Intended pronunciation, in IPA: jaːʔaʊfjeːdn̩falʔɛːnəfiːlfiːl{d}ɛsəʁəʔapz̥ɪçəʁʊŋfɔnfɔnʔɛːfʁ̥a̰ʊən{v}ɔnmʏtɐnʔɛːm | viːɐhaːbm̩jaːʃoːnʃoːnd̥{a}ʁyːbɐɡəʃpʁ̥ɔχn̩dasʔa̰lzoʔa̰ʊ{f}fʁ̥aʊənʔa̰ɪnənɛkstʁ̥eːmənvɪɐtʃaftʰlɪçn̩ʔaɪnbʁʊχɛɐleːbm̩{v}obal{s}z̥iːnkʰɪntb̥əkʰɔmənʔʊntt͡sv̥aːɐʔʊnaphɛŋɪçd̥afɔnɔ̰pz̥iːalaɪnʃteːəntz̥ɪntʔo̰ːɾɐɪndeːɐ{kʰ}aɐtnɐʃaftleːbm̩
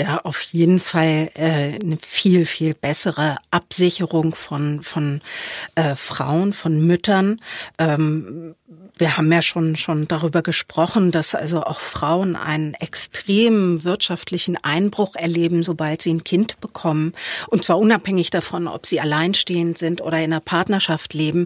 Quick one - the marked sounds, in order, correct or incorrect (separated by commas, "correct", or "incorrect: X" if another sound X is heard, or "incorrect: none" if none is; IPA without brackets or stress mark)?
incorrect: b, incorrect: f, correct, incorrect: x, incorrect: z, incorrect: t, incorrect: pʰ